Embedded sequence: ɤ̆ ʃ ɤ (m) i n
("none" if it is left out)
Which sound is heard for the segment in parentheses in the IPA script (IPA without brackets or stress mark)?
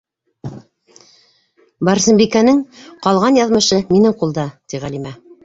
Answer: m